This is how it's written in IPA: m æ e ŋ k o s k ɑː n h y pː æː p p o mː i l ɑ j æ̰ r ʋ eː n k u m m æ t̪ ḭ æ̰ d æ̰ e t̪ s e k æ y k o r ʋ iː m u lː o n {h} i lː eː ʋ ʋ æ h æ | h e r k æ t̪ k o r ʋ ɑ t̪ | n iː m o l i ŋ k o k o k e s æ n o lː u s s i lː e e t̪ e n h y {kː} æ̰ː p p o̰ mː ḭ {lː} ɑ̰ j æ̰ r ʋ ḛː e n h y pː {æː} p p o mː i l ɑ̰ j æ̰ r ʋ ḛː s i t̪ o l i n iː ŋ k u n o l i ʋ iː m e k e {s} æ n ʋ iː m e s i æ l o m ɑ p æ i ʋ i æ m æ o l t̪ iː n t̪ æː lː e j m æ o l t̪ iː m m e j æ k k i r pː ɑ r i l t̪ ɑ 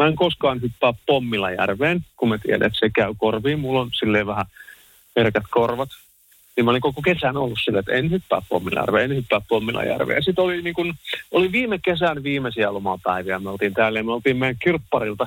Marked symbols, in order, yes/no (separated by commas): no, no, no, yes, yes